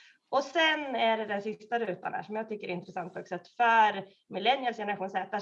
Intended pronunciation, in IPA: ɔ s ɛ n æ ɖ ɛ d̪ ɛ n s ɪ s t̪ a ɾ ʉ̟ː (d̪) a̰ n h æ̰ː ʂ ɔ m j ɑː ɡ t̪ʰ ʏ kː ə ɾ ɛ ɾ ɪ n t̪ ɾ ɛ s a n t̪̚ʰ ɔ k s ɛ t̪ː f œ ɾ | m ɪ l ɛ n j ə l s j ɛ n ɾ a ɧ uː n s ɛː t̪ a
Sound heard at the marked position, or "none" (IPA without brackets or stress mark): t̪